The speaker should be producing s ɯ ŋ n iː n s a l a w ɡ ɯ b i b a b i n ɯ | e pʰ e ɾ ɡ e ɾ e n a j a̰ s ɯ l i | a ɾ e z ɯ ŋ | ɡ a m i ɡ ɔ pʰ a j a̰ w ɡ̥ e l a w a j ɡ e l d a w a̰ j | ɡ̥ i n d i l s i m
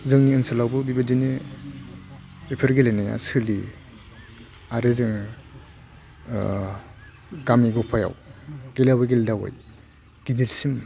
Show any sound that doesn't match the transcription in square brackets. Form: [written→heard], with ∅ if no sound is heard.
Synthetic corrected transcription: [s→z] ɯ ŋ n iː n s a l a w [ɡ→b] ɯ b i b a [b→d] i n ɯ | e pʰ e ɾ ɡ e [ɾ→l] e n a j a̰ s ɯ l i | a ɾ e z ɯ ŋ | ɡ a m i ɡ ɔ pʰ a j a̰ w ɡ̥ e l a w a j ɡ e l d a w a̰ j | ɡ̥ i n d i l s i m